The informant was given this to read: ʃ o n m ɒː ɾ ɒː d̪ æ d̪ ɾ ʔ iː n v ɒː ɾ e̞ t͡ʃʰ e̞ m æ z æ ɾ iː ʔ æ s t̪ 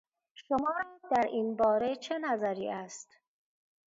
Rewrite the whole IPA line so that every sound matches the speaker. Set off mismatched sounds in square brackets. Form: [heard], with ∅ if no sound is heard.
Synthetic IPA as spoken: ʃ o [∅] m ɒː ɾ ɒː d̪ æ [∅] ɾ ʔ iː n [b] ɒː ɾ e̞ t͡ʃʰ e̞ [n] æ z æ ɾ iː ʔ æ s t̪